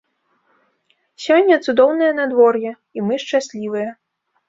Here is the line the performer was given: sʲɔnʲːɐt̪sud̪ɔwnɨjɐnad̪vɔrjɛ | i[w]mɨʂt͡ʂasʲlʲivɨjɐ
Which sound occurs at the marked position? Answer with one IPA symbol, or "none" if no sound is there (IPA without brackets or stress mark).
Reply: none